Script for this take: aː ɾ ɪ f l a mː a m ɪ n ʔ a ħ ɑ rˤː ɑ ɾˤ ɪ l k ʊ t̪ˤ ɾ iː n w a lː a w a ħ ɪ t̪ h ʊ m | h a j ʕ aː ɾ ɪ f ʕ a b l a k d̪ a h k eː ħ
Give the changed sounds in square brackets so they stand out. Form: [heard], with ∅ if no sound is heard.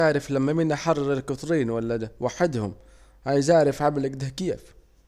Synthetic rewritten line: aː ɾ ɪ f l a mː a m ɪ n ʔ a ħ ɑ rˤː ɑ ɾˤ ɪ l k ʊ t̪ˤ ɾ iː n w a lː a w a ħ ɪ [d̪] h ʊ m | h a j [z] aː ɾ ɪ f ʕ a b l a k d̪ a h k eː [f]